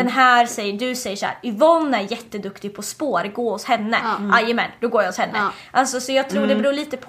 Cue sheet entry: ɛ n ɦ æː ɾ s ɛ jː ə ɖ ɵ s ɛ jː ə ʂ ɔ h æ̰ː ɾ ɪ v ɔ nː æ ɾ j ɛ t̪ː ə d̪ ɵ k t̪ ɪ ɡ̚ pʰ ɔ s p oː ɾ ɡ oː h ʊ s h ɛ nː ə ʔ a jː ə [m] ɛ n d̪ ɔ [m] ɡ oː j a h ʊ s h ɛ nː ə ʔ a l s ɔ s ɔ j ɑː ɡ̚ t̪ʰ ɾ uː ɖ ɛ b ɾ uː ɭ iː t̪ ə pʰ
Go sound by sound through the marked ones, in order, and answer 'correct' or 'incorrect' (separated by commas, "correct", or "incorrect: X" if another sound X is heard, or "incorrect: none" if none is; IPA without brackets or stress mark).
correct, incorrect: none